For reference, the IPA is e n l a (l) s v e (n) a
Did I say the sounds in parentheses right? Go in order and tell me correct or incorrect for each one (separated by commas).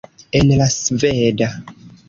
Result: incorrect, incorrect